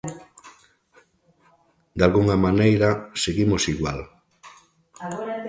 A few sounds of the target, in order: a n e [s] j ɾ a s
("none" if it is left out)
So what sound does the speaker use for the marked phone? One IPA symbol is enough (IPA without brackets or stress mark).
none